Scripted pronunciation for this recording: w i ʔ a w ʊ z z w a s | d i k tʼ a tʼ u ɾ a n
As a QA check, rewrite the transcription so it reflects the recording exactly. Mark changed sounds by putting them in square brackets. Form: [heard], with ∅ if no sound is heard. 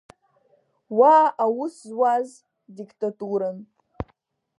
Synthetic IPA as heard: w [a] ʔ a w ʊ [s] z w a [z] | d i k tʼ a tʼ u ɾ a n